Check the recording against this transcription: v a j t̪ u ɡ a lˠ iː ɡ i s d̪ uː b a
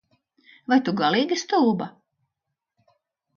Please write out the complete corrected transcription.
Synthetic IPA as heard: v a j t̪ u ɡ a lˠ iː ɡ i s t̪ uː b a